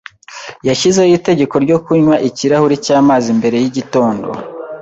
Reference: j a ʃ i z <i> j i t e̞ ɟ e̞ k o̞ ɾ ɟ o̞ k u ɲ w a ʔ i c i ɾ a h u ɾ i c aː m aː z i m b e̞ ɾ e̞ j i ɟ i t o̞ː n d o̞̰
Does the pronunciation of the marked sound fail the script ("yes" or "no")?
yes